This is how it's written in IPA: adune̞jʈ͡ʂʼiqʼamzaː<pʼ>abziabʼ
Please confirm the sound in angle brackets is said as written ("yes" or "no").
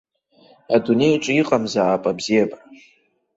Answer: yes